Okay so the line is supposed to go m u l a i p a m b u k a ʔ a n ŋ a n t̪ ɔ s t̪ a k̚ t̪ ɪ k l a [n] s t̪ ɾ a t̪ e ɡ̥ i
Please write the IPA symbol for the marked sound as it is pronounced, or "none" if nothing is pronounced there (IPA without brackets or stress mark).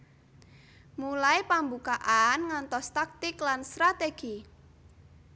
n